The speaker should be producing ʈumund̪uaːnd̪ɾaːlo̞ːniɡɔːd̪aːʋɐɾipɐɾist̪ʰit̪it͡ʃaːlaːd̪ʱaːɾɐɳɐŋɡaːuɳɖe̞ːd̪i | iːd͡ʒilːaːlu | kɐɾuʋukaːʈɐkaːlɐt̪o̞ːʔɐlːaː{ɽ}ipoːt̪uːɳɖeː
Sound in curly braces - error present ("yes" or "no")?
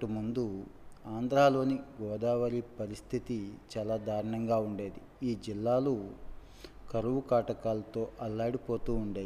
no